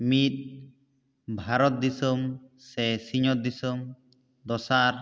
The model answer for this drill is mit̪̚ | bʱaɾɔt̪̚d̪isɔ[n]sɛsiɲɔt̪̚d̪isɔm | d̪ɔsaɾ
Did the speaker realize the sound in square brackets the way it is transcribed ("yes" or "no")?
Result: no